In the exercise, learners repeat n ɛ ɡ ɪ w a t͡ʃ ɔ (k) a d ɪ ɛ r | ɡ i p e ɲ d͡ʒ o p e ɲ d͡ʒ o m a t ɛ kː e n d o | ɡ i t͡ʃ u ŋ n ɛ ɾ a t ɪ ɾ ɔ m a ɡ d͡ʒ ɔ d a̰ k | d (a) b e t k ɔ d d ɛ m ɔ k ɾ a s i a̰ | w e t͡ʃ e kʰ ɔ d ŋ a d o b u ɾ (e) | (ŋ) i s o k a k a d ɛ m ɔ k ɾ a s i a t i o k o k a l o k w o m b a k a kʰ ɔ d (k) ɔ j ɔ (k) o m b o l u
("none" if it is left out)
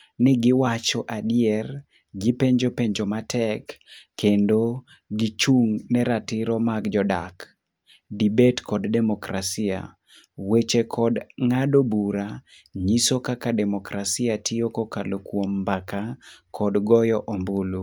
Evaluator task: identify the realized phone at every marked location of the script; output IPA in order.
ʔ, i, a, ɲ, ɡ, ʔ

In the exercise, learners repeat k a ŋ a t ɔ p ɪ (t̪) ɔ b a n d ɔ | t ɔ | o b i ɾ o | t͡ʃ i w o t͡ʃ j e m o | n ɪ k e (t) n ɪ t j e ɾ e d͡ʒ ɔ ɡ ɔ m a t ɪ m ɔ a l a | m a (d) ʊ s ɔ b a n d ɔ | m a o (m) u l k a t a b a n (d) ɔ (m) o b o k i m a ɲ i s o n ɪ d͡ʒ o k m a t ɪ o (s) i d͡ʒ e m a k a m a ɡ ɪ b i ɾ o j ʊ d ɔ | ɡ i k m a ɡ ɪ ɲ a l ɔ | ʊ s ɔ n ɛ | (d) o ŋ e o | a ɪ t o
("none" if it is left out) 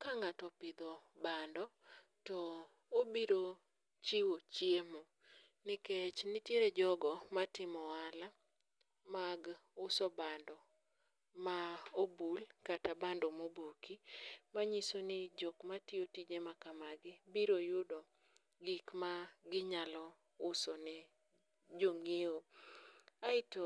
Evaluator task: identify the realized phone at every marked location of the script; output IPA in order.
d̪, t͡ʃ, ɡ, b, d, m, t, d͡ʒ

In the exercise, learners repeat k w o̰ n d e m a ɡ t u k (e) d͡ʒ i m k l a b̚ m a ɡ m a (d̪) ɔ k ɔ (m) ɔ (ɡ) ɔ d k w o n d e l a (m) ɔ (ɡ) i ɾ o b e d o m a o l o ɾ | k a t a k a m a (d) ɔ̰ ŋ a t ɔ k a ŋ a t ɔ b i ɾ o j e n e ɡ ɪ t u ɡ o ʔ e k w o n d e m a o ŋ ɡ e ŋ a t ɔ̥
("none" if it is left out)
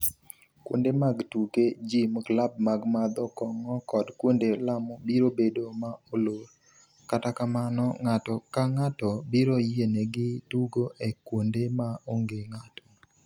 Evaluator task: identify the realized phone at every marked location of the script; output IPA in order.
e, d̪, ŋ, k, m, b, n

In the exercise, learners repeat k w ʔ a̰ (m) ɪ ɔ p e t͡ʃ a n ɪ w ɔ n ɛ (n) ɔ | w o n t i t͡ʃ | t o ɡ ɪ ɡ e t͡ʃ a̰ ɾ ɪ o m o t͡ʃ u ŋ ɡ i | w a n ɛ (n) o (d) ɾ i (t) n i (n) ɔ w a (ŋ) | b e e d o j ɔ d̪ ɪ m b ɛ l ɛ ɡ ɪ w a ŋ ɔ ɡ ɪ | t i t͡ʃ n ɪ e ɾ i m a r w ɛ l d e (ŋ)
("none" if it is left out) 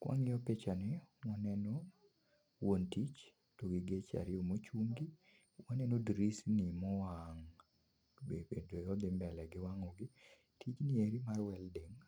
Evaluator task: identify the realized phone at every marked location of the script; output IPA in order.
ŋ, n, n, d, s, m, ŋ, ŋ

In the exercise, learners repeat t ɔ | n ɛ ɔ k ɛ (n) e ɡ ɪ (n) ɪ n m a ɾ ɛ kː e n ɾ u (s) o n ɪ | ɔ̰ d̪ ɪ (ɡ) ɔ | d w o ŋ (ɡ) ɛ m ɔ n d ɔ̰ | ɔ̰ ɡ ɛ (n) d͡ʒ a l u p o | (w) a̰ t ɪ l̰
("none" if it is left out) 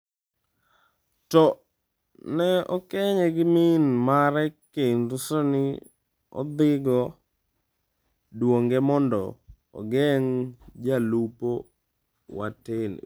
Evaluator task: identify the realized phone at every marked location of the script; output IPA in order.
ɲ, m, s, ɡ, ɡ, ŋ, w

